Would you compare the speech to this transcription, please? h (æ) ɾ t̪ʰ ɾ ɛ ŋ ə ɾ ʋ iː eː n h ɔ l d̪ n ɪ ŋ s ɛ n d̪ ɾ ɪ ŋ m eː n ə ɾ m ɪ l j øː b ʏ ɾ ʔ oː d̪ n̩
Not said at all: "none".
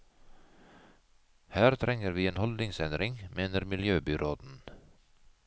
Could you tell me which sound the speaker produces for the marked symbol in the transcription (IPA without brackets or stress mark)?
æː